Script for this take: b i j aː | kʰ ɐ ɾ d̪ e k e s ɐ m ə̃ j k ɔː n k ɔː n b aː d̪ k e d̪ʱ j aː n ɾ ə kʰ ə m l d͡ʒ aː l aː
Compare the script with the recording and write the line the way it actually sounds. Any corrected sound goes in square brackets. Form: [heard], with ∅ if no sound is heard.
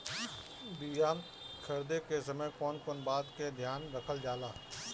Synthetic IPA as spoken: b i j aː | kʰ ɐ ɾ d̪ e k e s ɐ m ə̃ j k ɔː n k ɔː n b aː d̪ k e d̪ʱ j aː n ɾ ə kʰ ə [∅] l d͡ʒ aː l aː